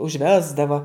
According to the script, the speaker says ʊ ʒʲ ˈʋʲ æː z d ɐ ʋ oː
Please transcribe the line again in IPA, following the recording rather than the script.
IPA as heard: ʊ ʒʲ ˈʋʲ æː z d ɐ ʋ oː